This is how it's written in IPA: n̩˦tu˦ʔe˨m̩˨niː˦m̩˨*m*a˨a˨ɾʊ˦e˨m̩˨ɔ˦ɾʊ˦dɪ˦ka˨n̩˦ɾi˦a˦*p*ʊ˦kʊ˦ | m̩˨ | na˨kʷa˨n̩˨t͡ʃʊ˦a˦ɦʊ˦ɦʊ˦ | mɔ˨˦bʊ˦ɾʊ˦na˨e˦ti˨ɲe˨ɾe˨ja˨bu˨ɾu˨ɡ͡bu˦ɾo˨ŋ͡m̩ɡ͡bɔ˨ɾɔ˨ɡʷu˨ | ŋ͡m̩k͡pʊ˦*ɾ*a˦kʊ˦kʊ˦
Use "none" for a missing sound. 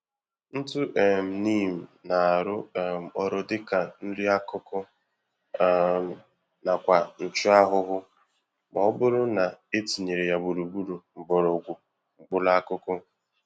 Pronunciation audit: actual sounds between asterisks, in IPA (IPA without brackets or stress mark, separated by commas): n, k, l